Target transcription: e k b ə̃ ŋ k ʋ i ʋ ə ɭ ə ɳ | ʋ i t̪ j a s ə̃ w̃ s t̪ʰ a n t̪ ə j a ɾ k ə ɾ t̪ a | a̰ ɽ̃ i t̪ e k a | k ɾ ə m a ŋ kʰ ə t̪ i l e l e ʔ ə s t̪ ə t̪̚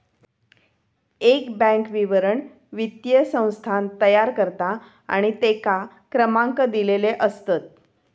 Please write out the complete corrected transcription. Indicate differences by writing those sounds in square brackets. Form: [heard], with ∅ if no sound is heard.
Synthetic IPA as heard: e k b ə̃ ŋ k ʋ i ʋ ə [ɾ] ə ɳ | ʋ i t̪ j [ə] s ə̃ w̃ s t̪ʰ a n t̪ ə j a ɾ k ə ɾ t̪ a | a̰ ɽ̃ i t̪ e k a | k ɾ ə m a ŋ [k] ə [d̪] i l e l e ʔ ə s t̪ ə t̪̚

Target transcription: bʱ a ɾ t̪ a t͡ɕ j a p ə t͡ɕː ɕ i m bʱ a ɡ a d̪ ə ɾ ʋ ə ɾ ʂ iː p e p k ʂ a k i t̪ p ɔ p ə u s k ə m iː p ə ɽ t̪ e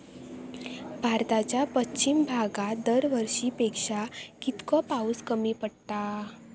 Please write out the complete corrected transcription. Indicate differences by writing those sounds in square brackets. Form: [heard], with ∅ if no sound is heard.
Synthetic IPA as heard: bʱ a ɾ t̪ a t͡ɕ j a p ə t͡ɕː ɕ i m bʱ a ɡ a d̪ ə ɾ ʋ ə ɾ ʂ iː p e [∅] k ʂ a k i t̪ [k] ɔ p [a] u s k ə m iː p ə ɽ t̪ [a]

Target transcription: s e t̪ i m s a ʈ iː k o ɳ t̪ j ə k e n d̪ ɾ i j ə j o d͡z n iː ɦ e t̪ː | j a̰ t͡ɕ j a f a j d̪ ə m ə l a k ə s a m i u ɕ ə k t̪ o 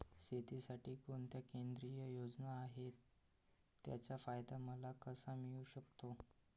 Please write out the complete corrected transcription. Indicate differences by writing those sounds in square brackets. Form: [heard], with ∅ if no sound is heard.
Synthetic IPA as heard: s e t̪ i [∅] s a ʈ iː k o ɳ t̪ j [a] k e n d̪ ɾ i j ə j o d͡z n [aː] ɦ e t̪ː | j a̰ t͡ɕ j a f a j d̪ [a] m ə l a k ə s a m i u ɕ ə k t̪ o

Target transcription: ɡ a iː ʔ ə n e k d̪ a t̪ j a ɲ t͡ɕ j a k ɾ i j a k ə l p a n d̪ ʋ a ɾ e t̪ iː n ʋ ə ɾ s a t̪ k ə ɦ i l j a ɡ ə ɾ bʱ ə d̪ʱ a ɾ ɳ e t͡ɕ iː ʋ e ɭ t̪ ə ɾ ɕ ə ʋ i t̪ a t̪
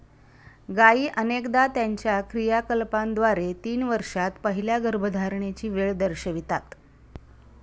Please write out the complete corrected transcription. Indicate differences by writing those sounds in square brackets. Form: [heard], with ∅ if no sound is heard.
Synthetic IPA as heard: ɡ a iː ʔ ə n e k d̪ a t̪ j a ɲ t͡ɕ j a k ɾ i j a k ə l p a n d̪ ʋ a ɾ e t̪ iː n ʋ ə ɾ [ʂ] a t̪ [p] ə ɦ i l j a ɡ ə ɾ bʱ ə d̪ʱ a ɾ ɳ e t͡ɕ iː ʋ e ɭ [d̪] ə ɾ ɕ ə ʋ i t̪ a t̪

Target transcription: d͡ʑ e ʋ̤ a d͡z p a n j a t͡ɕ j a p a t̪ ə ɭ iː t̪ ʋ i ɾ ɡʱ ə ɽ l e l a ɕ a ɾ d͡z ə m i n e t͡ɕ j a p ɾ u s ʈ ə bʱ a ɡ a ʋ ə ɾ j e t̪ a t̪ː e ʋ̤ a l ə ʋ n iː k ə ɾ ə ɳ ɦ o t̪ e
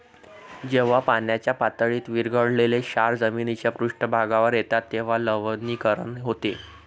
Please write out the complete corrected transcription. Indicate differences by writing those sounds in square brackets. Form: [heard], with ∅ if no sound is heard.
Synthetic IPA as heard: d͡ʑ e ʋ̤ a [∅] p a n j a t͡ɕ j a p a t̪ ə ɭ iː t̪ ʋ i ɾ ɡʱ ə ɽ l e l [e] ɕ a ɾ d͡z ə m i n [i] t͡ɕ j a p ɾ u [ʂ] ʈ ə bʱ a ɡ a ʋ ə ɾ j e t̪ a t̪ː e ʋ̤ a l ə ʋ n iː k ə ɾ ə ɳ ɦ o t̪ e

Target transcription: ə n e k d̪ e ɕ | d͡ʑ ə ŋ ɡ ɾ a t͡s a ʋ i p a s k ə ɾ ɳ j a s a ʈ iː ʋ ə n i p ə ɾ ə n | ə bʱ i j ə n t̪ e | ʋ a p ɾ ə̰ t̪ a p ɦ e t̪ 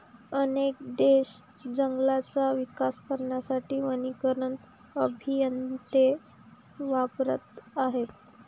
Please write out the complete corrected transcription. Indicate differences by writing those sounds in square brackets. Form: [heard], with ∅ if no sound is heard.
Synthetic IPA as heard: ə n e k d̪ e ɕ | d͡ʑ ə ŋ ɡ [l] a t͡s a ʋ i [k] a s k ə ɾ ɳ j a s a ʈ iː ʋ ə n i [k] ə ɾ ə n | ə bʱ i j ə n t̪ e | ʋ a p ɾ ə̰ t̪ a [∅] ɦ e t̪

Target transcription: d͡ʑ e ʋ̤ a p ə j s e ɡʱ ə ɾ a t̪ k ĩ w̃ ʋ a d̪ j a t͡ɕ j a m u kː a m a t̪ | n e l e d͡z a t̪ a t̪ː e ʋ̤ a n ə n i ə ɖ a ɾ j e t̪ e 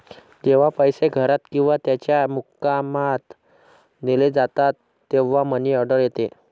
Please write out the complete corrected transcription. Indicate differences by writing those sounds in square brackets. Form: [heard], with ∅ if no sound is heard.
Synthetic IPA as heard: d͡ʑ e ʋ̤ a p ə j s e ɡʱ ə ɾ a t̪ k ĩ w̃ ʋ a [t̪] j a t͡ɕ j a m u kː a m a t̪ | n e l e d͡z a t̪ a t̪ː e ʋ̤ a [m] ə n i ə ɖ [ə] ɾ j e t̪ e

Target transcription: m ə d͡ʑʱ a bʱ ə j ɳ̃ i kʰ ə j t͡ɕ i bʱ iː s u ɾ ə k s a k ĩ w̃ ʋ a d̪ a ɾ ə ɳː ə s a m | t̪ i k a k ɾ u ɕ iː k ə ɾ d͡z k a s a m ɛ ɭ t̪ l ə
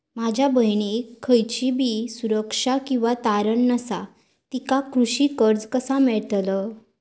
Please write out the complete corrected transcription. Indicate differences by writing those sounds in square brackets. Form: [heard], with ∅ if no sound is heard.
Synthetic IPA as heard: m [a] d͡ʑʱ a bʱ ə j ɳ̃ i kʰ ə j t͡ɕ i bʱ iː s u ɾ ə k [ʂ] a k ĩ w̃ ʋ a [t̪] a ɾ ə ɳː ə s a [∅] | t̪ i k a k ɾ u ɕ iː k ə ɾ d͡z k [ə] s a m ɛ ɭ t̪ l ə

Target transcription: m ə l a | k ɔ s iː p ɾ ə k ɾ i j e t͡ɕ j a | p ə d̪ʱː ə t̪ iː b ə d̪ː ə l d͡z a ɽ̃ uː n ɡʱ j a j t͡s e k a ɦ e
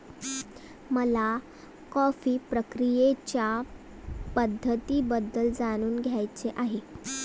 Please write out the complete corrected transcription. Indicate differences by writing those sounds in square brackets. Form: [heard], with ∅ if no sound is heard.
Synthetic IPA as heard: m ə l a | k ɔ [f] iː p ɾ ə k ɾ i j e t͡ɕ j a | p ə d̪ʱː ə t̪ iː b ə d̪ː ə l d͡z a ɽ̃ uː n ɡʱ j a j t͡s e [ʔ] a ɦ e

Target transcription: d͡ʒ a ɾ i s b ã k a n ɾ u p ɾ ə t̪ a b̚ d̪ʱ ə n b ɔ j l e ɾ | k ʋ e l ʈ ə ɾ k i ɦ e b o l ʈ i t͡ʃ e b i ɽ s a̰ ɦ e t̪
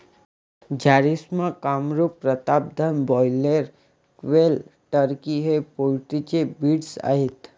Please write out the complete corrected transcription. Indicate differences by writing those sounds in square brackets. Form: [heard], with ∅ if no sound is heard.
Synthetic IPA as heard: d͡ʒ a ɾ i s [m] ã k a [m] ɾ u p ɾ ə t̪ a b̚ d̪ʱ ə n b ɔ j l e ɾ | k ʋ e l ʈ ə ɾ k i ɦ e [p] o l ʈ i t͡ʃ e b i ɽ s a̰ ɦ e t̪

